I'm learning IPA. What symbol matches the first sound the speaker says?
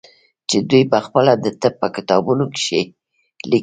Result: t͡ʃ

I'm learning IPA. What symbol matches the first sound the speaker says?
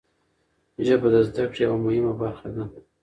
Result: ʒ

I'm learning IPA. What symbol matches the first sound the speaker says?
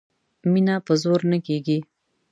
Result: m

